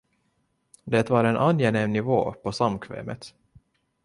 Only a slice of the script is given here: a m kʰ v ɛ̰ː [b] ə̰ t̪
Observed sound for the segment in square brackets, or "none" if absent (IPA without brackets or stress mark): m